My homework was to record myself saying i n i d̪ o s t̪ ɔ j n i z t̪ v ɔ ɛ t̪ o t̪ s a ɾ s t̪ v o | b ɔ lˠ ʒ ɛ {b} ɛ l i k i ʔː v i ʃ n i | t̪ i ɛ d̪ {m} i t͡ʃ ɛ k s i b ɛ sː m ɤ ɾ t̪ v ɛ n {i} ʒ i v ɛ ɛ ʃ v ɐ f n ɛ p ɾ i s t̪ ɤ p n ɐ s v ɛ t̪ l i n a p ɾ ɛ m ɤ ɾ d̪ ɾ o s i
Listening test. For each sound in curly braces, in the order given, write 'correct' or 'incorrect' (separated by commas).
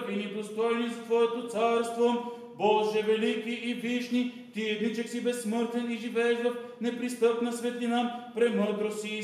incorrect, incorrect, correct